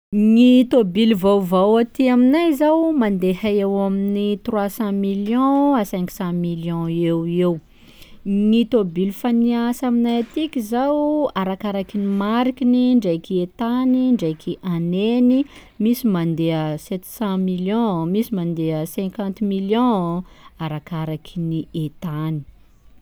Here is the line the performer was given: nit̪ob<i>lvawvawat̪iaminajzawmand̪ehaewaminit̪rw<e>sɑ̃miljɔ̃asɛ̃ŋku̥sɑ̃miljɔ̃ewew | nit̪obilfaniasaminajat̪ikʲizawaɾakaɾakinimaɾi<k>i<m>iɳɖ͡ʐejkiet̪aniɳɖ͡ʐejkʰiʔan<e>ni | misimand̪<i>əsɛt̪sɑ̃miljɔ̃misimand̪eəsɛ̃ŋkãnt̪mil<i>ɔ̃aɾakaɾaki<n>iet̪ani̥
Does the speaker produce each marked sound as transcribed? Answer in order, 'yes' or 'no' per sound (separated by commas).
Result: yes, no, yes, no, yes, no, no, yes